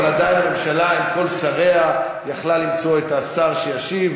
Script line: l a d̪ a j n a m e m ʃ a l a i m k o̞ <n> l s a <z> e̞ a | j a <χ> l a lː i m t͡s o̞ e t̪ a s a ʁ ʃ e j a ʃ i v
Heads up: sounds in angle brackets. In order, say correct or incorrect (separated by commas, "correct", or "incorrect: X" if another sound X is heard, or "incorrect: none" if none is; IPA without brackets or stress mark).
incorrect: none, incorrect: ʁ, correct